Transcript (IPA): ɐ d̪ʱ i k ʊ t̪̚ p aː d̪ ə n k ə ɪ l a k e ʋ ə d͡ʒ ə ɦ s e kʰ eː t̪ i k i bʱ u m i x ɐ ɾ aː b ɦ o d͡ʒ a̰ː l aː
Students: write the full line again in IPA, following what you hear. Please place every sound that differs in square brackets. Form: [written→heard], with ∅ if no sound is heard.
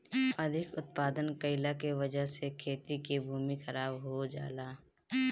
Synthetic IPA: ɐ d̪ʱ [i→ɪ] k ʊ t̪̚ p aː d̪ ə n k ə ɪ l a k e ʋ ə d͡ʒ ə ɦ s e kʰ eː t̪ i k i bʱ [u→uː] m i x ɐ ɾ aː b ɦ o d͡ʒ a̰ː l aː